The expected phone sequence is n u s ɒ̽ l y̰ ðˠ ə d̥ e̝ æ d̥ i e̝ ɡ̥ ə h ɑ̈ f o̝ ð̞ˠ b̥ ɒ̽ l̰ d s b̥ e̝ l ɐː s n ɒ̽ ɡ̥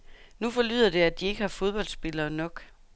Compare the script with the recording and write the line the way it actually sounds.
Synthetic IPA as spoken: n u f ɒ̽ l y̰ ðˠ ɐ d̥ e̝ æ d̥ i e̝ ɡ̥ ə h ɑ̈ f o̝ ð̞ˠ b̥ ɒ̽ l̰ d s b̥ e̝ l ɐː n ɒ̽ ɡ̥